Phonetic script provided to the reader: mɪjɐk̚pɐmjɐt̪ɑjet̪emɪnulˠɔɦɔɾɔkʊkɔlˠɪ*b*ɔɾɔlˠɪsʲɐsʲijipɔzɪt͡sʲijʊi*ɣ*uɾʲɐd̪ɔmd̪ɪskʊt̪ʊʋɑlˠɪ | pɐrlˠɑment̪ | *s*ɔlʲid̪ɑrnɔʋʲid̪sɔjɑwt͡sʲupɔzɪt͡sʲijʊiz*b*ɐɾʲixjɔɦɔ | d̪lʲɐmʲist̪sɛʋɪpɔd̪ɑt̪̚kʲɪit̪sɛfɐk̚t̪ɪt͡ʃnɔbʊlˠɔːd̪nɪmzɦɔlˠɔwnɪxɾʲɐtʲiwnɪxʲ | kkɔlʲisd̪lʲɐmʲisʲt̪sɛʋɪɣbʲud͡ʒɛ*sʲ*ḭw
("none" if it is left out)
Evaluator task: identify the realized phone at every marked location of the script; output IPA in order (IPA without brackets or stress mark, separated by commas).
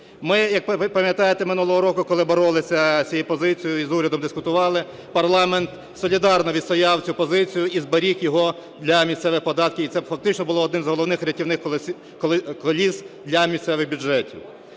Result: b, z, s, b, tʲ